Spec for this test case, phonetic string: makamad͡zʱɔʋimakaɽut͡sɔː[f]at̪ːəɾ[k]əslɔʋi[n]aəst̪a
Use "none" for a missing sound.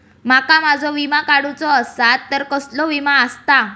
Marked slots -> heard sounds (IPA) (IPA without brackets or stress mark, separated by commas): s, k, m